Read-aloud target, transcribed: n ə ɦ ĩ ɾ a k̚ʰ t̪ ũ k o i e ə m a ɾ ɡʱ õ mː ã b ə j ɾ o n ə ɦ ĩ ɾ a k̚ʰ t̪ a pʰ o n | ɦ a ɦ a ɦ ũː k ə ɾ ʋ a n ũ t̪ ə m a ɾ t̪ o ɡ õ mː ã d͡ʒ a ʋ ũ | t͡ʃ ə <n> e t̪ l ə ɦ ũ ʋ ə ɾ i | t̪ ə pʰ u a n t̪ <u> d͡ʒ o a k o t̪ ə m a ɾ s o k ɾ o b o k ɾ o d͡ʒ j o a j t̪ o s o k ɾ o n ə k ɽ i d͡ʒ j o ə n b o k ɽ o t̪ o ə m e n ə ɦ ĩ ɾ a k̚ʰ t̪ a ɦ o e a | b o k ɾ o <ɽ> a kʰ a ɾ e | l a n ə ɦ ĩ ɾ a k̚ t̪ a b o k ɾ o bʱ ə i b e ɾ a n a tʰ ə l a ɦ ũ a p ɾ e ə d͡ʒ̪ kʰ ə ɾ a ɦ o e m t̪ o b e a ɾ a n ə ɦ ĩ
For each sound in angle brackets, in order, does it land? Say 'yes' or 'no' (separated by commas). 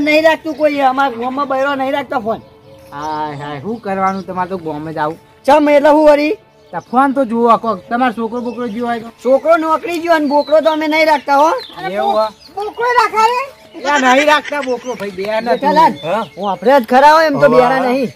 no, no, no